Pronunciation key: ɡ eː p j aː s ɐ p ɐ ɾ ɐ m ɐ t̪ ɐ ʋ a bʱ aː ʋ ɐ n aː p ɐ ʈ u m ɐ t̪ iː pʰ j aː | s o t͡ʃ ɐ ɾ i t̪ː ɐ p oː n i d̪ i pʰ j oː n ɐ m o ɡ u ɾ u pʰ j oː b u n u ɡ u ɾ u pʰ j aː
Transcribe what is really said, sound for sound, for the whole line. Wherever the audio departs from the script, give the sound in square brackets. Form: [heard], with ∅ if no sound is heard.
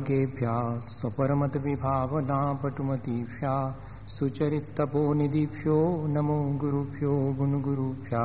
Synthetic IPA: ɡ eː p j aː s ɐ p ɐ ɾ ɐ m ɐ t̪ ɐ ʋ [i] bʱ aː ʋ ɐ n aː p ɐ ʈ u m ɐ t̪ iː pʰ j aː | s [u] t͡ʃ ɐ ɾ i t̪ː ɐ p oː n i d̪ i pʰ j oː n ɐ m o ɡ u ɾ u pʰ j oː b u n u ɡ u ɾ u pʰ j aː